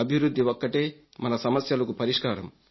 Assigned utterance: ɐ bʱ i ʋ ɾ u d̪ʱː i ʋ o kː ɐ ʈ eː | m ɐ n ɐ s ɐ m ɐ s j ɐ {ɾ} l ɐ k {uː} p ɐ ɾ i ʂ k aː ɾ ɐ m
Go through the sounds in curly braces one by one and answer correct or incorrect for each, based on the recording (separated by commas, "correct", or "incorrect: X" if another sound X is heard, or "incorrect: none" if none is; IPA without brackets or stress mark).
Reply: incorrect: none, incorrect: u